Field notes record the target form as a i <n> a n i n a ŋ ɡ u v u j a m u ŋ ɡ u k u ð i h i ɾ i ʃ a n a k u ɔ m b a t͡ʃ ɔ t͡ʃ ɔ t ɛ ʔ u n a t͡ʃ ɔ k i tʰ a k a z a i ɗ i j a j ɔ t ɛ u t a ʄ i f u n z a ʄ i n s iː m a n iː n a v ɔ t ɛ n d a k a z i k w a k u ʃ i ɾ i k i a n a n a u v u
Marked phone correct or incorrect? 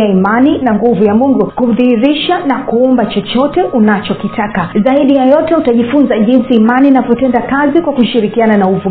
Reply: incorrect